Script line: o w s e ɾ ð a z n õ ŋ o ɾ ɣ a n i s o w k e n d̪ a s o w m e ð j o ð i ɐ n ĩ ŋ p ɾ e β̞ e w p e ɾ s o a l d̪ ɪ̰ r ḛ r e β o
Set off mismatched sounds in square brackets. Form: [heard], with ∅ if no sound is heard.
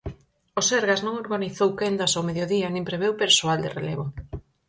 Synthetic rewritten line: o [∅] s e ɾ [ɣ] a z n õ ŋ o ɾ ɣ a n i [θ] o w k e n d̪ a s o w m e ð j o ð i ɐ n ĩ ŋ p ɾ e β̞ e w p e ɾ s o a l d̪ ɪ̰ r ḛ [l] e β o